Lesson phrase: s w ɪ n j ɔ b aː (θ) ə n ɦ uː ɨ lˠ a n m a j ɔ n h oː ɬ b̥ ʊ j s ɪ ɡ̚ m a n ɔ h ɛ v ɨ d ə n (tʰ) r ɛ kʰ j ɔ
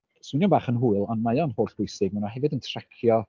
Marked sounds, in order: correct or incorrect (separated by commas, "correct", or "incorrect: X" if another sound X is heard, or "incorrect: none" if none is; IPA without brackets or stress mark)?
incorrect: χ, correct